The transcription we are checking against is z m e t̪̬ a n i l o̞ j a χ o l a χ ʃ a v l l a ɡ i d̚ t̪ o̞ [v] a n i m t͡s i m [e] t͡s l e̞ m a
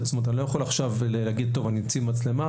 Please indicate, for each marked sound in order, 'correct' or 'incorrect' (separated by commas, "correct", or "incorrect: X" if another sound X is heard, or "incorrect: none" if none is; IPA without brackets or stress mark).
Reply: correct, incorrect: a